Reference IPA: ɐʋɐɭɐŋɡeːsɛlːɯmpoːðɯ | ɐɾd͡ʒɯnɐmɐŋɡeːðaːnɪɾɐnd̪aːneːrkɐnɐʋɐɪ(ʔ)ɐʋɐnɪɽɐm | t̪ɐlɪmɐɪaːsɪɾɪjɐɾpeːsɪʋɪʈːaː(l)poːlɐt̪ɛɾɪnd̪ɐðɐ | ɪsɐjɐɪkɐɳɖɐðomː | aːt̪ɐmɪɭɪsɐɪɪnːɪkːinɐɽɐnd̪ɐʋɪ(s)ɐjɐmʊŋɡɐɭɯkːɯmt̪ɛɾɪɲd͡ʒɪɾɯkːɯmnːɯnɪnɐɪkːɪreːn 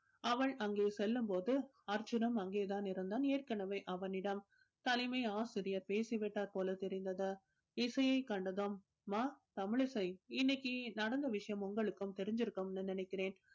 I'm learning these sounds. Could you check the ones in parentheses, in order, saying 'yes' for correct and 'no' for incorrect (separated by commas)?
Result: yes, no, no